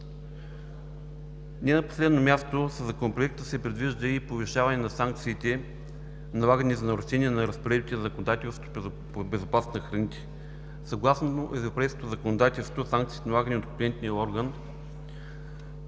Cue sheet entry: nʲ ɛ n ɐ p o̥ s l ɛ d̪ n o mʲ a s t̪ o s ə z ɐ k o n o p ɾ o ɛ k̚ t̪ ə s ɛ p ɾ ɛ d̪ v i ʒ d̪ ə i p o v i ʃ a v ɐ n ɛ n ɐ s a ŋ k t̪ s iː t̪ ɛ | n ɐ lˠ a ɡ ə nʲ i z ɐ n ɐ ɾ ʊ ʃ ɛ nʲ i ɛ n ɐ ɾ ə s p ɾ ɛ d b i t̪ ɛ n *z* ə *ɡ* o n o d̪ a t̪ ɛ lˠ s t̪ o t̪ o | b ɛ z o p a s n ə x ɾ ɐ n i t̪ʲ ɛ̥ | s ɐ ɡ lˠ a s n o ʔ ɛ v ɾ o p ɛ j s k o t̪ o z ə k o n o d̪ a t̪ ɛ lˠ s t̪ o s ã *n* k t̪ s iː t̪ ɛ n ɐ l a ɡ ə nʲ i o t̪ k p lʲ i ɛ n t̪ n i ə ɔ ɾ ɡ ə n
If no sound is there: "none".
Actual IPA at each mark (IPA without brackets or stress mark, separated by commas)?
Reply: z, k, ŋ